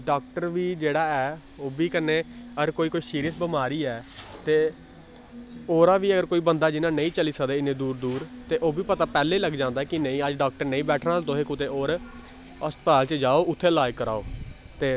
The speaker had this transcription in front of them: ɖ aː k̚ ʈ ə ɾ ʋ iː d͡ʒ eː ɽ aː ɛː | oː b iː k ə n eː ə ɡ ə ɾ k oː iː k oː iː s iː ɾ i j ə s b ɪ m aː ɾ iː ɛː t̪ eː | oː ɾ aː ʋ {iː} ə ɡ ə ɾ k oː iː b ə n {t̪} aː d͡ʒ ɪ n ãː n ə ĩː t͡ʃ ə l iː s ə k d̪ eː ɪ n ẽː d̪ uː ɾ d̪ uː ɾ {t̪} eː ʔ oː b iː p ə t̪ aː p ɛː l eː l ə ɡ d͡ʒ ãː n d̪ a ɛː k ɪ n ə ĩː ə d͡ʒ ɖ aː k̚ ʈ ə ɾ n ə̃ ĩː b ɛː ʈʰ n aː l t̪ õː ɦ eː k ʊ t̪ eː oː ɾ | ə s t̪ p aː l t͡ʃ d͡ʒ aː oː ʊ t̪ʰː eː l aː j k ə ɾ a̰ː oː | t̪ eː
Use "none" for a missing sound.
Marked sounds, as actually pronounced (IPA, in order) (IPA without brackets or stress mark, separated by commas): iː, d̪, t̪